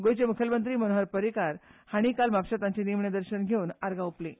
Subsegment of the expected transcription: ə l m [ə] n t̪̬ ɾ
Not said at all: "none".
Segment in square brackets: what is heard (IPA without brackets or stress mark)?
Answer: ə